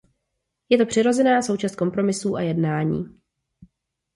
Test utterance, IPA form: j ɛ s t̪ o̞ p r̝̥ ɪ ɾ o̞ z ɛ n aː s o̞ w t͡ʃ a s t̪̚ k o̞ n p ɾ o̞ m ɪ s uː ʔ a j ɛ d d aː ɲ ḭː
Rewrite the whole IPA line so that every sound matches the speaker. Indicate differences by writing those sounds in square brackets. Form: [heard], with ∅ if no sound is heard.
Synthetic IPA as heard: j ɛ [∅] t̪ o̞ p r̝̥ ɪ ɾ o̞ z ɛ n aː s o̞ w t͡ʃ a s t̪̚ k o̞ [m] p ɾ o̞ m ɪ s uː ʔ a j ɛ d [n] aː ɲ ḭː